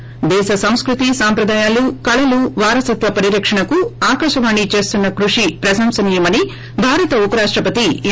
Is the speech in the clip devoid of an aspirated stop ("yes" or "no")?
yes